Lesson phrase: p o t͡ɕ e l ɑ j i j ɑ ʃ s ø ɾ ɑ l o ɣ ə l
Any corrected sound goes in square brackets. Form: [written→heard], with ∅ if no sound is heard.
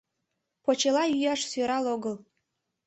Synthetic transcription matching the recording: p o t͡ɕ e l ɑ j [i→y] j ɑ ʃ s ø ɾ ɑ l o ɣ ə l